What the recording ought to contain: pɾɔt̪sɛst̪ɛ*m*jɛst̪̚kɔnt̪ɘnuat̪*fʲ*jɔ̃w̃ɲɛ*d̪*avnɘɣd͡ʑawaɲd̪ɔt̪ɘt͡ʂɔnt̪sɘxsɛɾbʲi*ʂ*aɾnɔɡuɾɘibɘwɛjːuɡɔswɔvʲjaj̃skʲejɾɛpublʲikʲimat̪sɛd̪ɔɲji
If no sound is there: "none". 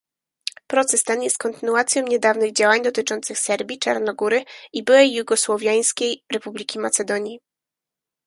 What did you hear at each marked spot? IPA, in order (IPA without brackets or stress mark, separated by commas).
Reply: n, sʲ, d̪, t͡ʂ